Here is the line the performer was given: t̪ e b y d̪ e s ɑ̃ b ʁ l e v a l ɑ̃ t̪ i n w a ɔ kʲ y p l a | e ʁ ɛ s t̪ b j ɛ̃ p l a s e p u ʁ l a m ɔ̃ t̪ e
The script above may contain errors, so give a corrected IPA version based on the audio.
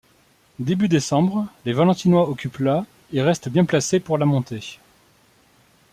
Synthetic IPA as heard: d̪ e b y d̪ e s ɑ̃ b ʁ l e v a l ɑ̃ t̪ i n w a ɔ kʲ y p l a | e ʁ ɛ s t̪ b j ɛ̃ p l a s e p u ʁ l a m ɔ̃ t̪ e